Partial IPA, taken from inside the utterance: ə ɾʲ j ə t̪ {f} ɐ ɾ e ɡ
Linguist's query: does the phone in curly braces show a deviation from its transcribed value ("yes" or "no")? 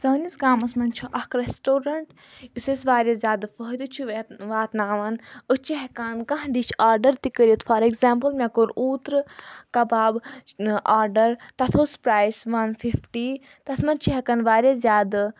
no